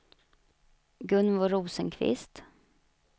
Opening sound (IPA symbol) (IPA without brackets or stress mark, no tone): ɡ